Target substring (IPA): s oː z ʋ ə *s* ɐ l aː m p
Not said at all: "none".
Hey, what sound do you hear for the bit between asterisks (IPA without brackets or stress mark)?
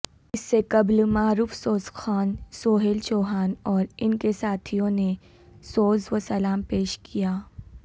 s